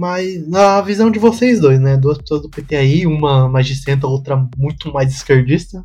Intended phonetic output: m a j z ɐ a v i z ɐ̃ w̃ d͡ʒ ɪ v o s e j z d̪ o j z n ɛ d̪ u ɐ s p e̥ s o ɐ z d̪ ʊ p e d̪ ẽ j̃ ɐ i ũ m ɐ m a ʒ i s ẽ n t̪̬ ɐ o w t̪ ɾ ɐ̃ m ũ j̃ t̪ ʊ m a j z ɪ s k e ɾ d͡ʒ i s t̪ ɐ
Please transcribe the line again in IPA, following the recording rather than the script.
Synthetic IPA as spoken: m a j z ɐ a v i z ɐ̃ w̃ d͡ʒ ɪ v o s e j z d̪ o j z n ɛ d̪ u ɐ s p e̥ s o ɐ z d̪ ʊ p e t̪ ẽ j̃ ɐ i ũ m ɐ m a ʒ i s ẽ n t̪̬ ɐ o w t̪ ɾ ɐ m ũ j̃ t̪ ʊ m a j z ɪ s k e ɾ d͡ʒ i s t̪ ɐ